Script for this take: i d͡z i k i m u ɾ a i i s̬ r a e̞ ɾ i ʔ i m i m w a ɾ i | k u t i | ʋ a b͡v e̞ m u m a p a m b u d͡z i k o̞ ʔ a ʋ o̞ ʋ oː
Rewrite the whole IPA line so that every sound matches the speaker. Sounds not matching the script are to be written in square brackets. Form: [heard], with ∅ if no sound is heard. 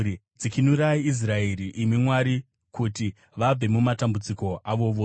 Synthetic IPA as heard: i d͡z i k i [n] u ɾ a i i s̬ r a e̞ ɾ i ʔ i m i m w a ɾ i | k u t i | ʋ a b͡v e̞ m u m a [t] a m b u d͡z i k o̞ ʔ a ʋ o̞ ʋ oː